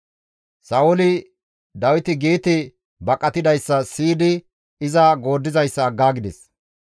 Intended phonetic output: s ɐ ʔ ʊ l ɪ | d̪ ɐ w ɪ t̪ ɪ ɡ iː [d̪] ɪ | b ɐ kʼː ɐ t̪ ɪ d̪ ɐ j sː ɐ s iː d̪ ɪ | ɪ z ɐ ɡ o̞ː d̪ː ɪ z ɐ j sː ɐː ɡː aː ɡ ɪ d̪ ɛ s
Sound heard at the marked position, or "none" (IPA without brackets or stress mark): t̪